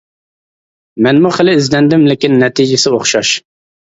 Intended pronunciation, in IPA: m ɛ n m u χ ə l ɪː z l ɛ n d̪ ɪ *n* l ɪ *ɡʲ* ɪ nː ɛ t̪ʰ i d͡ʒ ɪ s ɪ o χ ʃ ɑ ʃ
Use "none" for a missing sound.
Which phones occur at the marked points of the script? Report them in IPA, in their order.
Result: m, kʲ

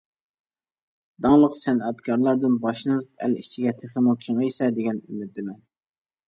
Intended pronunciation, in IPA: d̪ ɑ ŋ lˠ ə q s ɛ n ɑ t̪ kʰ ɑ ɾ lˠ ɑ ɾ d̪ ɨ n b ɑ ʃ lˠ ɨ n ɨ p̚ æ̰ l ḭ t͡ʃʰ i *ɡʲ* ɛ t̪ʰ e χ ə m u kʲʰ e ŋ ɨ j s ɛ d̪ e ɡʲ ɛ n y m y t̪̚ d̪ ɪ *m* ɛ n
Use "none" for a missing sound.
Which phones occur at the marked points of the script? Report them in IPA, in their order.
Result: ɡʲ, m

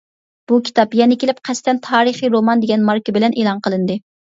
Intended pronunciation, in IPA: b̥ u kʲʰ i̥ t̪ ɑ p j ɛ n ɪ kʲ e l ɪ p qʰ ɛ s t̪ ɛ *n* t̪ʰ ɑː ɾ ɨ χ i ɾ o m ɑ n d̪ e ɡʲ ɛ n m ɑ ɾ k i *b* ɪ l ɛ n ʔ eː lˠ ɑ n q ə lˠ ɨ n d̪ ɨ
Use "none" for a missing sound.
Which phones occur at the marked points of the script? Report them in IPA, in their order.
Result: n, b

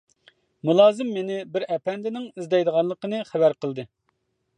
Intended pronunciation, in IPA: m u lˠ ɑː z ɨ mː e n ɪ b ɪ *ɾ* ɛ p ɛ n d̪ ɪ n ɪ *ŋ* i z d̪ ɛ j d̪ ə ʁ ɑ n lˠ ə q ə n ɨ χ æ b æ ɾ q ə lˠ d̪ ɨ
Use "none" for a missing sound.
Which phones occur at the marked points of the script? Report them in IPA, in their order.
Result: ɾ, ŋ

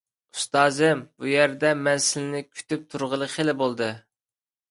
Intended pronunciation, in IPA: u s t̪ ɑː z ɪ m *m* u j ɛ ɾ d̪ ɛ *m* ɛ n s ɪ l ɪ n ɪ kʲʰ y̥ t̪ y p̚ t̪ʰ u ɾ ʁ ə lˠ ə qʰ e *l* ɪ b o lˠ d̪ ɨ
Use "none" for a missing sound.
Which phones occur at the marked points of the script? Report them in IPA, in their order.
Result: b, m, l

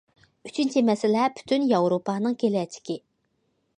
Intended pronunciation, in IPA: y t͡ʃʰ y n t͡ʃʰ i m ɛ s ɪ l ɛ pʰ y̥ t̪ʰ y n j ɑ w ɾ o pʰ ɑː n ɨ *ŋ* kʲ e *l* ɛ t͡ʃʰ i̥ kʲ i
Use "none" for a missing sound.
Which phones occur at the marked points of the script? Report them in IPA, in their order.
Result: ŋ, l

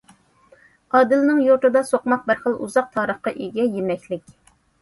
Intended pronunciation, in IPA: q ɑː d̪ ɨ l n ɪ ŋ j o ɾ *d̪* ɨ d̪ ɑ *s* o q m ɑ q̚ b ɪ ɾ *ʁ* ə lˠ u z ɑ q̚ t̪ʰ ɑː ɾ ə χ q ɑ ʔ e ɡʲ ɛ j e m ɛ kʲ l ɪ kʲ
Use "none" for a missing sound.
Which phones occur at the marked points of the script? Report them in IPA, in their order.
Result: t̪, s, χ

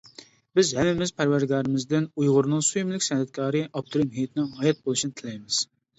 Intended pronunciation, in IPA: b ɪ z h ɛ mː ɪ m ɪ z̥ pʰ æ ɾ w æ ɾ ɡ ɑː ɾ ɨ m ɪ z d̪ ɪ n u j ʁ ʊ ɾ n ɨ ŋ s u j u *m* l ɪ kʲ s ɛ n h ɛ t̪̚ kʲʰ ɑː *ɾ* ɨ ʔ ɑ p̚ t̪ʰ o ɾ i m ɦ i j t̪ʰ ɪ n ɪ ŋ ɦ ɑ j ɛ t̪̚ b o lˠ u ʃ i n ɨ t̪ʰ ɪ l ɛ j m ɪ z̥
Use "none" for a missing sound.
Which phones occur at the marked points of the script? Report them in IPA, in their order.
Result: m, ɾ

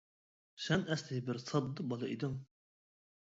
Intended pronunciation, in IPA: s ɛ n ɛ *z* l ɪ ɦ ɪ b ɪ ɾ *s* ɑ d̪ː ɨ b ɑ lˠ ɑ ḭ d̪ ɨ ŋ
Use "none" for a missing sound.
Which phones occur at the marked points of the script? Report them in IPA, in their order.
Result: s, s

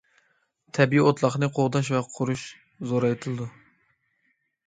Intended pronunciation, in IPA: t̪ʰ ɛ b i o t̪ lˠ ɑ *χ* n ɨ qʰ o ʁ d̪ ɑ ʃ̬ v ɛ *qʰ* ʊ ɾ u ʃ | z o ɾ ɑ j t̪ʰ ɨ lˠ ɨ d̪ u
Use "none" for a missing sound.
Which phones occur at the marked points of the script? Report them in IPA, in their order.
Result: χ, qʰ

